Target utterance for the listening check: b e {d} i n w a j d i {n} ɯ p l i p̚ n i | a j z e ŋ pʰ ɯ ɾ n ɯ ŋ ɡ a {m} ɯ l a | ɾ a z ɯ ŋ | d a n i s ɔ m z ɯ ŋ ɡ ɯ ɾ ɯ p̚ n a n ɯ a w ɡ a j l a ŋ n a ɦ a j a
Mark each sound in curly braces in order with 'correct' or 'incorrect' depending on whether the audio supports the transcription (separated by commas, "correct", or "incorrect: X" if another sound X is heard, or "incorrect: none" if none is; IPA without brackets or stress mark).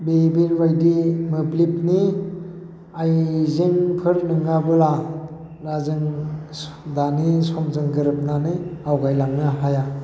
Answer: incorrect: b, incorrect: m, incorrect: b